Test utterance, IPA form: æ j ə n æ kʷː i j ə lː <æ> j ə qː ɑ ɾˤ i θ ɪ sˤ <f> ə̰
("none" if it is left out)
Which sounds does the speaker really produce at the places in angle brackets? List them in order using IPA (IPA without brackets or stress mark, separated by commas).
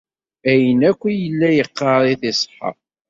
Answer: æ, ħ